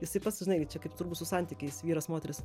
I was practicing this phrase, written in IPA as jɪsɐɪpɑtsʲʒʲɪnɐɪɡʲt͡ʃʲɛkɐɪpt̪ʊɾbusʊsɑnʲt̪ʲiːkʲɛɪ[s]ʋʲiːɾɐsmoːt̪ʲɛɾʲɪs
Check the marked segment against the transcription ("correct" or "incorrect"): correct